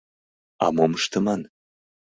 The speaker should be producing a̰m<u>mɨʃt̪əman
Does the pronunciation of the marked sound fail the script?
yes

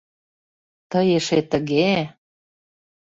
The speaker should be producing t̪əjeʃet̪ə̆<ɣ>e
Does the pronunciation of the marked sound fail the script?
no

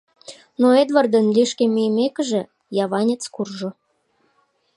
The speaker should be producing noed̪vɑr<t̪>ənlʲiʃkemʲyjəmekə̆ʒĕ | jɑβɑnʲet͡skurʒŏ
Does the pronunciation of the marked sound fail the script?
yes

